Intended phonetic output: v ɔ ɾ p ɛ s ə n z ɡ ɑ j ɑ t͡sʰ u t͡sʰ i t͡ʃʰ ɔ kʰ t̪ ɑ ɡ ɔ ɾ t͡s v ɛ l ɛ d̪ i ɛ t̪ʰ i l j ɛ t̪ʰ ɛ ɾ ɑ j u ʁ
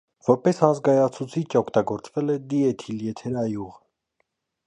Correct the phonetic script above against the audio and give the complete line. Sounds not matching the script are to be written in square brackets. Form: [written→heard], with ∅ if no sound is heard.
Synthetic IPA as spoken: v ɔ ɾ p ɛ s [ə→ɑ] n z ɡ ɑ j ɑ t͡sʰ u t͡sʰ i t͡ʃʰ ɔ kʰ t̪ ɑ ɡ ɔ ɾ t͡s v ɛ l ɛ d̪ i ɛ t̪ʰ i l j ɛ t̪ʰ ɛ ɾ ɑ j u ʁ